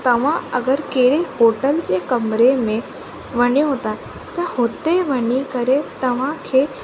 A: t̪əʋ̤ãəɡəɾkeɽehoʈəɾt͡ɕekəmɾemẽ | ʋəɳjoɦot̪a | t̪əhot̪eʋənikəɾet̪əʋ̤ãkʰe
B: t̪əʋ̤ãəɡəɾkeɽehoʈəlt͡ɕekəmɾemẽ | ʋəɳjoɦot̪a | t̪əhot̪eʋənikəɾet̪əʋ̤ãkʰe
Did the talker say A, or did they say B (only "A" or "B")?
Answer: B